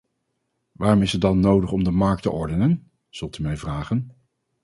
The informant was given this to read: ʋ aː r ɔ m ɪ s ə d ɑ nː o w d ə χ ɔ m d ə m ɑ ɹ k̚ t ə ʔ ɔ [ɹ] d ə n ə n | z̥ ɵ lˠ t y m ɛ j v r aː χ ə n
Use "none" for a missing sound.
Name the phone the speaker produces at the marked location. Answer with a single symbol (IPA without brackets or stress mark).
ɹ